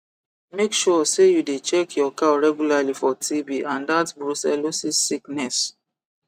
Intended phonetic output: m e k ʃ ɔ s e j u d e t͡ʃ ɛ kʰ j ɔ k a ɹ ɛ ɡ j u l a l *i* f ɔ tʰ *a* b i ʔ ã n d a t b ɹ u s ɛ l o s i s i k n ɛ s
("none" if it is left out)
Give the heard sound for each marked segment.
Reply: i, i

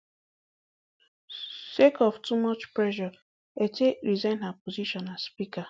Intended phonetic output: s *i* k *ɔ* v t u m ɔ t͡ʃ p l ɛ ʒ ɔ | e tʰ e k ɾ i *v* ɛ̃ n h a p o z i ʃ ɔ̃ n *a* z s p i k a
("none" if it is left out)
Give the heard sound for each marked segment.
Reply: e, ɔ, z, a

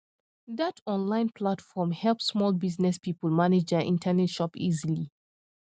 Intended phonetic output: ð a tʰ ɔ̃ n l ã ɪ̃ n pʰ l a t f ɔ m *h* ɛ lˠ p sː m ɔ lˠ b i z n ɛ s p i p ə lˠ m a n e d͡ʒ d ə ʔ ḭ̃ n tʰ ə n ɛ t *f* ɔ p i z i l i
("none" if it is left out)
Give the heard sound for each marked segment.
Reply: h, ʃ

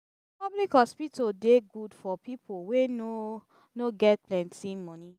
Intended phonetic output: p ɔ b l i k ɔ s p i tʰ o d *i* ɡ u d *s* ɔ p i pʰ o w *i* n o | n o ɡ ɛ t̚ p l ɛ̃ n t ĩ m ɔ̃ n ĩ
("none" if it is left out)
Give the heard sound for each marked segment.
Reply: e, f, e

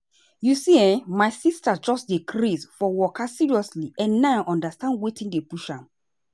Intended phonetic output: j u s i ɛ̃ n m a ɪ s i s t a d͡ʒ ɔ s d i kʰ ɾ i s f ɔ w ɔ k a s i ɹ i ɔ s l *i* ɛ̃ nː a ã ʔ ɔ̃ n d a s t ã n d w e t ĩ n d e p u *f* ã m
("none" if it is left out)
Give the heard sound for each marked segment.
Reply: i, ʃ

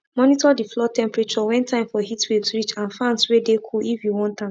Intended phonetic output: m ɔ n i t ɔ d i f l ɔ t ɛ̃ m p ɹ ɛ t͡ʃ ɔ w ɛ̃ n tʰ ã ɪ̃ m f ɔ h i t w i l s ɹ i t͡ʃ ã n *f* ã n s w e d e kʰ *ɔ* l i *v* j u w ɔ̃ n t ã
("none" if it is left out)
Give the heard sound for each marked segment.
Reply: f, u, f

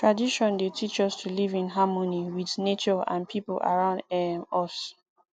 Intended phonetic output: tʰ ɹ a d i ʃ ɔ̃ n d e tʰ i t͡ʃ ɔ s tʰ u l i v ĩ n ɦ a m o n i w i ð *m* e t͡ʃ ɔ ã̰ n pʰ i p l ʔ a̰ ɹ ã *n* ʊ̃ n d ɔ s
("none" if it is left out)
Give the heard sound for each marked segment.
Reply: n, none

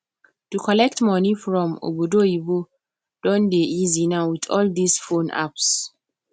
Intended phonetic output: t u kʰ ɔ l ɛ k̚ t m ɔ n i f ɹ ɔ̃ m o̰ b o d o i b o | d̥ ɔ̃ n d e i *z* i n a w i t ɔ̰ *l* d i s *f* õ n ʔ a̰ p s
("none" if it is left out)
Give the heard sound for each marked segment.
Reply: z, l, f

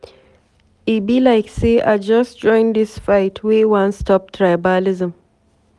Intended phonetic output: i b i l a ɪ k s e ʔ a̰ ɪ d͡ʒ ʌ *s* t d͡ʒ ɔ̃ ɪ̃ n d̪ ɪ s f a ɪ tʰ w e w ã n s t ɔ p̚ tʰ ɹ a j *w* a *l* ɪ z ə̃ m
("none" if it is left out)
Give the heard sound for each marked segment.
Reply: s, b, l

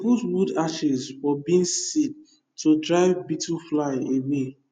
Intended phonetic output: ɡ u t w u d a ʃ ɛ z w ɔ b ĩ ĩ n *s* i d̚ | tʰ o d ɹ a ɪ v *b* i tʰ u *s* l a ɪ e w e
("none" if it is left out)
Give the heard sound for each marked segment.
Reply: s, b, f

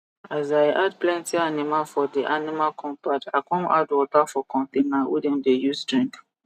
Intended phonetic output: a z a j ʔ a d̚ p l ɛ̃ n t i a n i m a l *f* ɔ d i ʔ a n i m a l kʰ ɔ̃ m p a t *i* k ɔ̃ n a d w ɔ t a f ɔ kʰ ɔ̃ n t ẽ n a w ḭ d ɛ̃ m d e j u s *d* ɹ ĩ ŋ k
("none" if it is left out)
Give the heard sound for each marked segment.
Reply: f, a, d

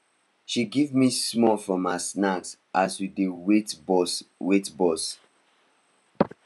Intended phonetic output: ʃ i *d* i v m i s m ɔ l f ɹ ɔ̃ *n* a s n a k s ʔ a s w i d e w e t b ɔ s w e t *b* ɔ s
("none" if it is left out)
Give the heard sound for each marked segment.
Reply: ɡ, m, b

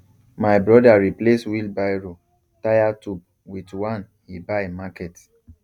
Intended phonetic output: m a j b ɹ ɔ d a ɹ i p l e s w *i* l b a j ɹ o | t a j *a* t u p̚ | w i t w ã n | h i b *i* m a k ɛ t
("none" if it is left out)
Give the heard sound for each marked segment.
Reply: i, a, a

